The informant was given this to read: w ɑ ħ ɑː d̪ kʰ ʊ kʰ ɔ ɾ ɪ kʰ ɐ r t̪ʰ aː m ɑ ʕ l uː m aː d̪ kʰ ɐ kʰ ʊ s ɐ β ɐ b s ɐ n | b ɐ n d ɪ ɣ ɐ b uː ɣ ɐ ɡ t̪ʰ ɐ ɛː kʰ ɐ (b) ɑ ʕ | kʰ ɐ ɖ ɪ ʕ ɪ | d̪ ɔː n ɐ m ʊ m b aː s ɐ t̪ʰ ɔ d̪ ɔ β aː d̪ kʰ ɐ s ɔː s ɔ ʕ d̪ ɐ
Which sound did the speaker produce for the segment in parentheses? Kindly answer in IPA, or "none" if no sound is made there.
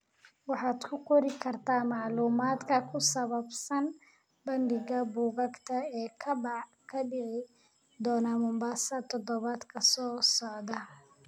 b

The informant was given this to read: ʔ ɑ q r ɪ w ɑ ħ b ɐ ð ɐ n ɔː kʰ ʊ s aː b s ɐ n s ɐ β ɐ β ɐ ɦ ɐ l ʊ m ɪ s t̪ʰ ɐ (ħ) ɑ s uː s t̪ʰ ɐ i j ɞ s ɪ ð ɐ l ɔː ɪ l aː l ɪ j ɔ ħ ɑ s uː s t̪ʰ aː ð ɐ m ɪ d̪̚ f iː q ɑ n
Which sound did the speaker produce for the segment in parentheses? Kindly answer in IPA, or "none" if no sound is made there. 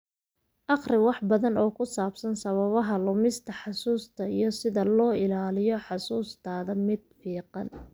ħ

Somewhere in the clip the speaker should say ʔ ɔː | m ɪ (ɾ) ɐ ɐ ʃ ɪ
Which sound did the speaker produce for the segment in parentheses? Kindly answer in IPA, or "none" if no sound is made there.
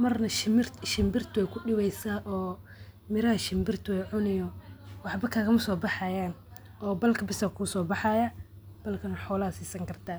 ɾ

